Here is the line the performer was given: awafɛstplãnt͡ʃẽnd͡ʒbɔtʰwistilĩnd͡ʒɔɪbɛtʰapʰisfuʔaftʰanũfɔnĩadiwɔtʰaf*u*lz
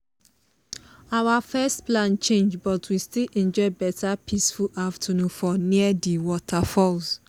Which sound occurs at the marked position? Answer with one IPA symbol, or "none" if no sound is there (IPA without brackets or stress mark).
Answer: ɔ